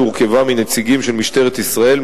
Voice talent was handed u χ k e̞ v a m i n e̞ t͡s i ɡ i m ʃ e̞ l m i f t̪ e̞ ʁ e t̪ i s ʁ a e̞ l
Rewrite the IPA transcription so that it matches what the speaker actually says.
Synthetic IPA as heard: u ʁ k e̞ v a m i n e̞ t͡s i ɡ i m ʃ e̞ l m i ʃ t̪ e̞ ʁ e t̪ i s ʁ a e̞ l